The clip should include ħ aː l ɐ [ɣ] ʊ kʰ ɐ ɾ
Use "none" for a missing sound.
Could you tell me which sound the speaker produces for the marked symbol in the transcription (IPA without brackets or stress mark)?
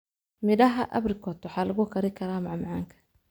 ɣ